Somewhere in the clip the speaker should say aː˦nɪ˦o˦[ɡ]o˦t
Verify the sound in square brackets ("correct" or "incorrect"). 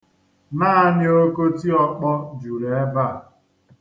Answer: incorrect